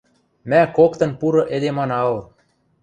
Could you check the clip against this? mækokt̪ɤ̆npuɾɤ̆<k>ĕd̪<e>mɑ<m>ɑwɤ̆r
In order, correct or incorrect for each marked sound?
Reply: incorrect: ʔ, correct, incorrect: n

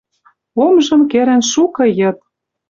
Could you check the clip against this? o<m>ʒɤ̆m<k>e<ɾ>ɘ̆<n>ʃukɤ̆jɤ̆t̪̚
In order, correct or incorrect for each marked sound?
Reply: correct, correct, correct, correct

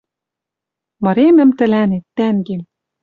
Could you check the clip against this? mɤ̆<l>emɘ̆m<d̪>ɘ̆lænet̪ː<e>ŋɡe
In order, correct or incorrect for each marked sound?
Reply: incorrect: ɾ, incorrect: t̪, incorrect: æ

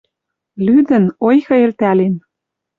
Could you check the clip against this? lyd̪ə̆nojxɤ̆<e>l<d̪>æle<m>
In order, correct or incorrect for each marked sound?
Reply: correct, incorrect: t̪, incorrect: n

